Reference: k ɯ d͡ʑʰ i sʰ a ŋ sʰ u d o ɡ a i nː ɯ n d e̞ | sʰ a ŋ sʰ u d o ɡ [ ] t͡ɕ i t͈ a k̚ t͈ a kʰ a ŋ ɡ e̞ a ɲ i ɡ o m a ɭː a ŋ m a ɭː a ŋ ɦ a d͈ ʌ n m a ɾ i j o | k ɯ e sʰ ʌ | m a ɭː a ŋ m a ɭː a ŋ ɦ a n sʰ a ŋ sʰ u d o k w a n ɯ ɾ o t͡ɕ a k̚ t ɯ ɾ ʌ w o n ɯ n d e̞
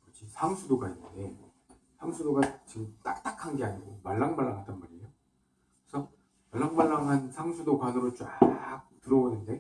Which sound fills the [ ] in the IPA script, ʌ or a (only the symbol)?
a